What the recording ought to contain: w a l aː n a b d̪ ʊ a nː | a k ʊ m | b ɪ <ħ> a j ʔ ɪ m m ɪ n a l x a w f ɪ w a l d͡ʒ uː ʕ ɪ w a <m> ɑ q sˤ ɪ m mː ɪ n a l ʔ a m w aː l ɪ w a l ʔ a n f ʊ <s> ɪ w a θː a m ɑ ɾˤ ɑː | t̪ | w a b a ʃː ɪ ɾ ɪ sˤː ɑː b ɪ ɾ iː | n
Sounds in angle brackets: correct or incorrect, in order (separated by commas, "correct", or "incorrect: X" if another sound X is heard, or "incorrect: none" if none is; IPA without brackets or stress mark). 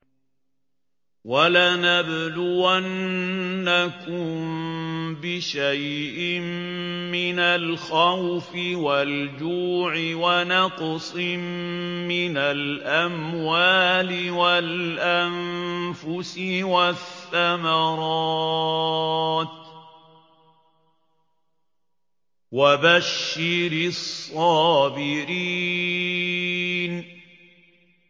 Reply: incorrect: ʃ, incorrect: n, correct